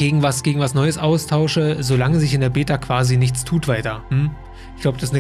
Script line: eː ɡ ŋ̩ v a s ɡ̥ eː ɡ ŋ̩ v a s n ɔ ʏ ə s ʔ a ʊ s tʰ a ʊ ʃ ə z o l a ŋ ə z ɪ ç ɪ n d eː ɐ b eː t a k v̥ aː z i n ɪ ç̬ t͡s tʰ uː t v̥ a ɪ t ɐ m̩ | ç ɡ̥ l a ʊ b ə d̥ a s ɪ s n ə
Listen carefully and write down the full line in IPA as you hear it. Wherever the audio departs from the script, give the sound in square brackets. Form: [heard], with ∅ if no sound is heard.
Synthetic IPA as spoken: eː ɡ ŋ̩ v a s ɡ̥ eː ɡ ŋ̩ v a s n ɔ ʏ ə s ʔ a ʊ s tʰ a ʊ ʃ ə z o l a ŋ ə z ɪ ç ɪ n d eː ɐ b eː t a k v̥ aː z i n ɪ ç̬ t͡s tʰ uː t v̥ a ɪ t ɐ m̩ | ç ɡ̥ l a ʊ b ə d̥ a s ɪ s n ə